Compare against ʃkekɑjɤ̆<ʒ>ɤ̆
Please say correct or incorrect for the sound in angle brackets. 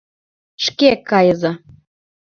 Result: incorrect